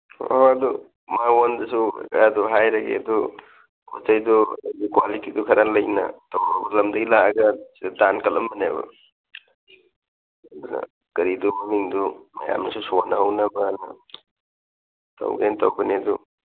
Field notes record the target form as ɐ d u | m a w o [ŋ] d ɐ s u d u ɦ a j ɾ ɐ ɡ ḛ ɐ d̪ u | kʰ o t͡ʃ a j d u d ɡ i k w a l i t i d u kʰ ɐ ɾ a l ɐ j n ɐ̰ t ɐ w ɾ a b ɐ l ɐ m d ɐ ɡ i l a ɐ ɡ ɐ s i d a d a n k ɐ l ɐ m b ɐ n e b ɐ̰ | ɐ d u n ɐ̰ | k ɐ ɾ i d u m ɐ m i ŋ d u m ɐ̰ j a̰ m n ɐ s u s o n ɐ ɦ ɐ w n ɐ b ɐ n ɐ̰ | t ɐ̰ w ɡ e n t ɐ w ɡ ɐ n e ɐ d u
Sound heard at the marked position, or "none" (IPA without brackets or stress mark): n